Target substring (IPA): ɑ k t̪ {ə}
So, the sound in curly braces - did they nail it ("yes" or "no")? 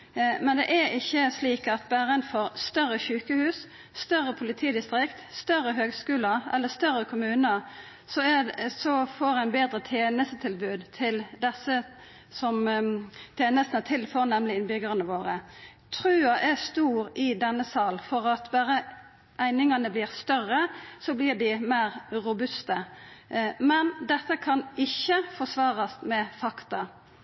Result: no